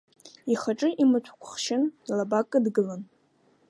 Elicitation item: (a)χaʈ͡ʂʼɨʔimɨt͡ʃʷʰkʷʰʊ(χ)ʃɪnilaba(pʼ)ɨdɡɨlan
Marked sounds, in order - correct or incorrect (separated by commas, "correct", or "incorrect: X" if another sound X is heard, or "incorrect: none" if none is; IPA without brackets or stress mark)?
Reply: incorrect: i, correct, incorrect: kʼ